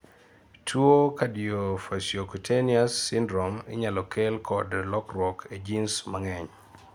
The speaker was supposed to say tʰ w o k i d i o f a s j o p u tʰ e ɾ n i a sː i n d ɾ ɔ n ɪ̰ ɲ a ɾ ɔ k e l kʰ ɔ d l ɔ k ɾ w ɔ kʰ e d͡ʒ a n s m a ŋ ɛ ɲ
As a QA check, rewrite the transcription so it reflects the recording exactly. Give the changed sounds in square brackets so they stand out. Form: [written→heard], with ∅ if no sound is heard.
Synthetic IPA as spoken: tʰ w o k [i→a] d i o f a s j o [p→k] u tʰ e [ɾ→∅] n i a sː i n d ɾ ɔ [n→m] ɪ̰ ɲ a [ɾ→l] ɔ k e l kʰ ɔ d l ɔ k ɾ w ɔ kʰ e d͡ʒ [a→i] n s m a ŋ ɛ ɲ